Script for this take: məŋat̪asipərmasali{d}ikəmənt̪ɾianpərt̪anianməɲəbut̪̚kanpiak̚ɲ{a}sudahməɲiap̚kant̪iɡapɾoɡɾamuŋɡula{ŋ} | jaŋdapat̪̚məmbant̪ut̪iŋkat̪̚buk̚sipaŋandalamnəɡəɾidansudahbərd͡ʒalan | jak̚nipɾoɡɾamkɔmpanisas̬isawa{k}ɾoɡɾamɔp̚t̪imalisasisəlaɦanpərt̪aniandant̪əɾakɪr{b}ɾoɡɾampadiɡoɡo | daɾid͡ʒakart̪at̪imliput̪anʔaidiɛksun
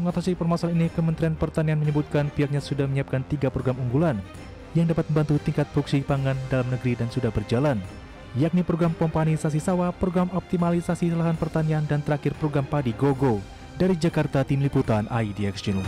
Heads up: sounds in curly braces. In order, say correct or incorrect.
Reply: incorrect: n, correct, incorrect: n, incorrect: p, incorrect: p

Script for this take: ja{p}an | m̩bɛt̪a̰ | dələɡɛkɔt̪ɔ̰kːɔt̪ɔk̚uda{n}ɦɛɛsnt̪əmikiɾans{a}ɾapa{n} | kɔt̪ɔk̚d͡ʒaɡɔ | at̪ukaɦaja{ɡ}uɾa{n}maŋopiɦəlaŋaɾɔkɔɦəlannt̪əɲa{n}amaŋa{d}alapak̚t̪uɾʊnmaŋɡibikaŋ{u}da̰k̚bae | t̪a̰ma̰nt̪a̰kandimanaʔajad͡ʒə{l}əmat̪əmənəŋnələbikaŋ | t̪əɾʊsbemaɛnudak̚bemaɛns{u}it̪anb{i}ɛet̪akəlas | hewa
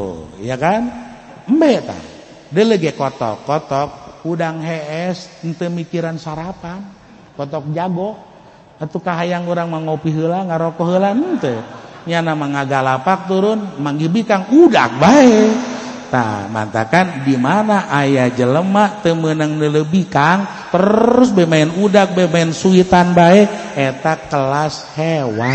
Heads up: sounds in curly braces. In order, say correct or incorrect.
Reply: incorrect: k, incorrect: ŋ, correct, correct, incorrect: ŋ, incorrect: ŋ, correct, incorrect: ɡ, correct, correct, correct, incorrect: a

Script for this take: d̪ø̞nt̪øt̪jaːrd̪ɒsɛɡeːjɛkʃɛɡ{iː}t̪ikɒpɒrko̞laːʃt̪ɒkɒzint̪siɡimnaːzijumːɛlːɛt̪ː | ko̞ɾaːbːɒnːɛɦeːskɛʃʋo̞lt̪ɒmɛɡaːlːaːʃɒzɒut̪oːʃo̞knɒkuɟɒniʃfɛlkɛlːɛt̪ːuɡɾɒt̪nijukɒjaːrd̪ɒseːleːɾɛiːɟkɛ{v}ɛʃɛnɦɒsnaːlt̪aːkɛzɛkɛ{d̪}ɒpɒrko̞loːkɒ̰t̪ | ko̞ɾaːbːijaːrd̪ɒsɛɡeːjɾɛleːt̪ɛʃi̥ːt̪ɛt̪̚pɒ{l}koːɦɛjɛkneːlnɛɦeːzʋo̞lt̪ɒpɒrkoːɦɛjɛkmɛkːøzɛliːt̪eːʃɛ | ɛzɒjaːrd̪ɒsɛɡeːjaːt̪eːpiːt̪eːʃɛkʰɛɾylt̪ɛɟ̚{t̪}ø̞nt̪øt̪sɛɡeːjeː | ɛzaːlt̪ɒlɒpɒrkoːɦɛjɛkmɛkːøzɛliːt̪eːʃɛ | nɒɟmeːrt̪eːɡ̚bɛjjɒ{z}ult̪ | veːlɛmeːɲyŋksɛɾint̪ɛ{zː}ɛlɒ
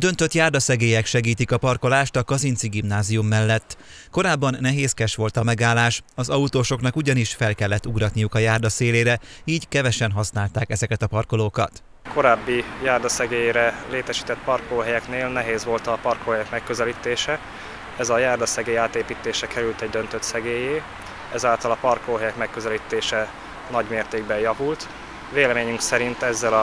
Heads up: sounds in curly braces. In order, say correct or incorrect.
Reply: correct, correct, incorrect: t̪, incorrect: r, incorrect: d̪, incorrect: v, correct

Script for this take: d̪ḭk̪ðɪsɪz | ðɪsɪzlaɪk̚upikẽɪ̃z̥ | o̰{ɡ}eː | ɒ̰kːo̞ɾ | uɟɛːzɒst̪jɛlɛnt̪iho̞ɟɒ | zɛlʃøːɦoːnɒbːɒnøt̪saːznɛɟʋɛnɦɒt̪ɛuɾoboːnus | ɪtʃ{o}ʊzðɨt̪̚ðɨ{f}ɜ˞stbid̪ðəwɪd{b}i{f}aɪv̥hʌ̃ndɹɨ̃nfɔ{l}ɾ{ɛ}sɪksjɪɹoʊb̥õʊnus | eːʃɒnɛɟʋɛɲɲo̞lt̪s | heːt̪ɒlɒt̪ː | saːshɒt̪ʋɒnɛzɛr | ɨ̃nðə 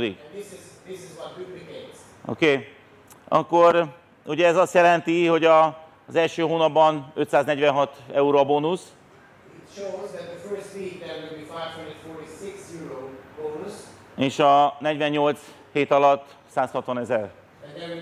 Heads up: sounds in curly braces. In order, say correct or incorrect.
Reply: incorrect: k, correct, correct, correct, correct, incorrect: ɹ, incorrect: i

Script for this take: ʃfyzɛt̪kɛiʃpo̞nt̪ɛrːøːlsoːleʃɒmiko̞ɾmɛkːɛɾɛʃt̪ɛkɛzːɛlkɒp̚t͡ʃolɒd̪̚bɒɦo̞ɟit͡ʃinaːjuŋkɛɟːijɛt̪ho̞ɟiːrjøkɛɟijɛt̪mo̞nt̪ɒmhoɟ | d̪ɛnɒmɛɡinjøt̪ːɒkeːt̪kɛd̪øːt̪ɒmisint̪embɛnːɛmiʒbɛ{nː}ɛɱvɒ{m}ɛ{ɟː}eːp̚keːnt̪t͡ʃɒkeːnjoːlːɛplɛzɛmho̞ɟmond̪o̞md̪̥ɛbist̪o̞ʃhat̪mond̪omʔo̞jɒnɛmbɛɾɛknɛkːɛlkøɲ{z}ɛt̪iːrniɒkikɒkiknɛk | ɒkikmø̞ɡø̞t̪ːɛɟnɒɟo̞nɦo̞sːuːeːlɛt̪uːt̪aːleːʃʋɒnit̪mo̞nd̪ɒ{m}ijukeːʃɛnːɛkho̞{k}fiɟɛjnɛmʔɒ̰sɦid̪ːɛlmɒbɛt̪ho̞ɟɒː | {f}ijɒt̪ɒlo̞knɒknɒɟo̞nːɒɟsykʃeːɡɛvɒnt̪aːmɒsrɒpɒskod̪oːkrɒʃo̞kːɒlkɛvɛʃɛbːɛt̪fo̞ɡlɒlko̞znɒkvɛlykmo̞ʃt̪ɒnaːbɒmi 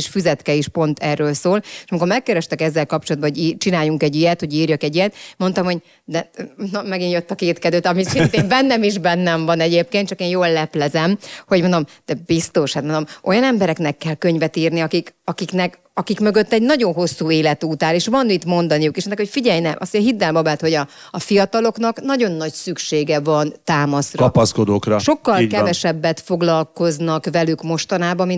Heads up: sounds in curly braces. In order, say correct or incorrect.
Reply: correct, incorrect: n, incorrect: ɟ, incorrect: v, incorrect: n, incorrect: c, correct

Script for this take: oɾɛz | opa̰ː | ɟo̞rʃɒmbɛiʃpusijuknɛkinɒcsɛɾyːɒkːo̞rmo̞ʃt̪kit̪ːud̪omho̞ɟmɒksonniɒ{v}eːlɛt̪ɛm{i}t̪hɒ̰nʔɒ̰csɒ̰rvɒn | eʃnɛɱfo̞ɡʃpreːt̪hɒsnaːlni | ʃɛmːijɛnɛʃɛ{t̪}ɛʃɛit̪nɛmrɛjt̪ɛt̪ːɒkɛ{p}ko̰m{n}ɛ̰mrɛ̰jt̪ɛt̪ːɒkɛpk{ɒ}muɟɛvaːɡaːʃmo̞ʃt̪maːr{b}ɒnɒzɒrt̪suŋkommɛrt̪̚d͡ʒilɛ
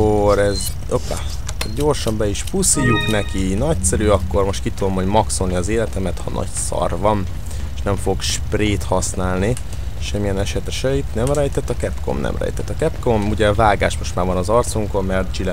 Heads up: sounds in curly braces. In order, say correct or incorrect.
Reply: incorrect: z, incorrect: ɛ, correct, correct, correct, incorrect: o, incorrect: v

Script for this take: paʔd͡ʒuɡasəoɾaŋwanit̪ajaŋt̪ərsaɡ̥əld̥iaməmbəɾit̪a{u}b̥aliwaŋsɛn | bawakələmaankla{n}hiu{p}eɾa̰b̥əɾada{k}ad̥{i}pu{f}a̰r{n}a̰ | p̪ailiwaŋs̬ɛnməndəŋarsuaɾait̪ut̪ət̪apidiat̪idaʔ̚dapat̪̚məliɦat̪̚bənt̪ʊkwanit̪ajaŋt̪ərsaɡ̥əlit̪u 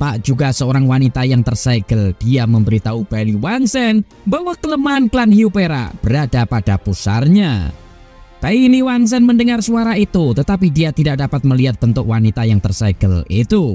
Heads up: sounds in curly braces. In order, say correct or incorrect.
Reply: correct, correct, correct, incorrect: p, incorrect: a, incorrect: s, incorrect: ɲ

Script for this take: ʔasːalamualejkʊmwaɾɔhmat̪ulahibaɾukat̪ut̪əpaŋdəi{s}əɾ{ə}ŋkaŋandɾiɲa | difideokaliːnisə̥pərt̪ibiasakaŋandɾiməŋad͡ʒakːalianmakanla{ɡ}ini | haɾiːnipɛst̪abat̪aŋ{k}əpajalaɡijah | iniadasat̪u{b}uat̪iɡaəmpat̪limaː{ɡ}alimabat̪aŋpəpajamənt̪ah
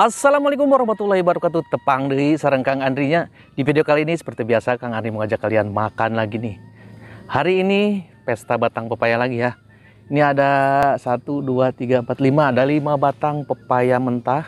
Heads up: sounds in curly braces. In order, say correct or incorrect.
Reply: correct, correct, correct, incorrect: p, incorrect: d, incorrect: d

